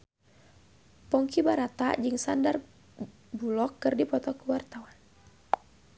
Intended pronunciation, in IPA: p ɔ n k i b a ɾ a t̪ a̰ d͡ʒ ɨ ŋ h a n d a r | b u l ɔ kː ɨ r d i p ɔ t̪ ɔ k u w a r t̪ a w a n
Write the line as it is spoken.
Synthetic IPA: p ɔ ŋ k i b a ɾ a t̪ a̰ d͡ʒ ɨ ŋ s a n d a r | b u l ɔ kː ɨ r d i p ɔ t̪ ɔ k u w a r t̪ a w a n